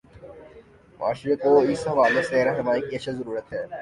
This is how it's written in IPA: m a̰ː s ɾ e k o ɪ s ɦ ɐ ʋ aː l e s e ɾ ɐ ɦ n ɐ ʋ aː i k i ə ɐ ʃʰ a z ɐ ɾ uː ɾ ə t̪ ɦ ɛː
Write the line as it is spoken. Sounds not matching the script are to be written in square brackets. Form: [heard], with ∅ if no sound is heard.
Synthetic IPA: m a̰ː [ʃ] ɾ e k o ɪ s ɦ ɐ ʋ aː l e s e ɾ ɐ ɦ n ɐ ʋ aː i k i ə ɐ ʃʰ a z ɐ ɾ uː ɾ ə t̪ ɦ ɛː